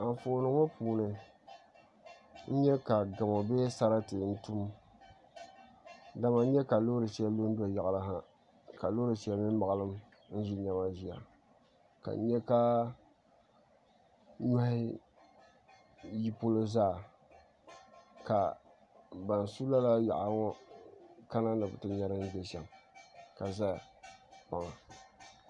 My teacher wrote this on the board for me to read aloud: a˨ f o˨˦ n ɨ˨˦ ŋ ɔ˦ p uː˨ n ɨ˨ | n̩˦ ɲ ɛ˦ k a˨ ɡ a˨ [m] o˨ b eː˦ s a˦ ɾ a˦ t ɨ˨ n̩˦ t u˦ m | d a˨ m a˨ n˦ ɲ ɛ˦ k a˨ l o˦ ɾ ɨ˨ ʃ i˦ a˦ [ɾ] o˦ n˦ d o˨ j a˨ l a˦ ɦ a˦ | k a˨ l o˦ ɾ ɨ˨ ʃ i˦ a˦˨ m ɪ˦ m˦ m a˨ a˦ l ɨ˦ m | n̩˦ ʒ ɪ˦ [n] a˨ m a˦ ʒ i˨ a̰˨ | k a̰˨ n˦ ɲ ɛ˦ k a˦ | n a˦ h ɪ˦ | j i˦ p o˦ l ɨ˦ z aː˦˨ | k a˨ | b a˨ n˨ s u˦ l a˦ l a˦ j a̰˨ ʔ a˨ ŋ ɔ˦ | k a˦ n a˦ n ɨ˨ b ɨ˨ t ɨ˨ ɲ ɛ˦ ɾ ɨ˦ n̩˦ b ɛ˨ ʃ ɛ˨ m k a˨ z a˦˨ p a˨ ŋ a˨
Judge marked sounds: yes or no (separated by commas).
yes, no, no